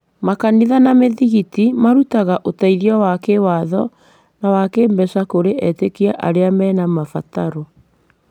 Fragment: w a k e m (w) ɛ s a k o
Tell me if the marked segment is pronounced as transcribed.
no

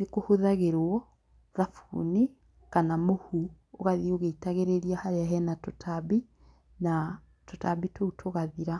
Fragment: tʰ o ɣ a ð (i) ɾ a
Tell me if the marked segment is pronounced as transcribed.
yes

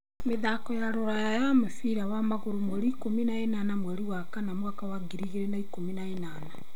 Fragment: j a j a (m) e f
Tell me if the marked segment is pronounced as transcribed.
yes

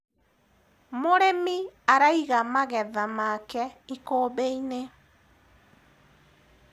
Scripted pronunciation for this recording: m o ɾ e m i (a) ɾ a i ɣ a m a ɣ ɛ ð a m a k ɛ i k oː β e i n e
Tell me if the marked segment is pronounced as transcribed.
yes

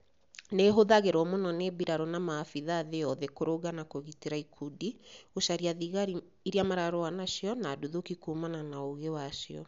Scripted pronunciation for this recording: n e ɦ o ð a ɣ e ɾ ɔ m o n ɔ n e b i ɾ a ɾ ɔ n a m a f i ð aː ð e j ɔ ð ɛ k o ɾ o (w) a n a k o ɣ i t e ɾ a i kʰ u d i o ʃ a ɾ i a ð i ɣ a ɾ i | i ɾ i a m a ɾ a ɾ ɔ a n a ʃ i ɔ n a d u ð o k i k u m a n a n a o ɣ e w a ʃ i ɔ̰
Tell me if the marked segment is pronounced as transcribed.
no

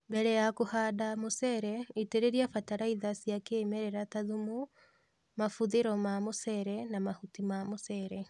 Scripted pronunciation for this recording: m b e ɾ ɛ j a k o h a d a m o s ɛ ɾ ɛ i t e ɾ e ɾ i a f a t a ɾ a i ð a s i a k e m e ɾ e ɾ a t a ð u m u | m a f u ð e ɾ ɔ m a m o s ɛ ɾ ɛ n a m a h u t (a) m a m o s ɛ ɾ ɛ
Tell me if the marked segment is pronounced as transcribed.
no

